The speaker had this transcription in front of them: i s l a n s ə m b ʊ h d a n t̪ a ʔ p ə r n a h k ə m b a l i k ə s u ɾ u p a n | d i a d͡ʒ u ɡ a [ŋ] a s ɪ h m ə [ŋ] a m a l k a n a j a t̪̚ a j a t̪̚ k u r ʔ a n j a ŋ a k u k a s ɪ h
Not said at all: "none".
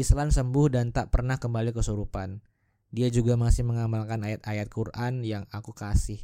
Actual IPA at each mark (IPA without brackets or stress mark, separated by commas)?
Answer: m, ŋ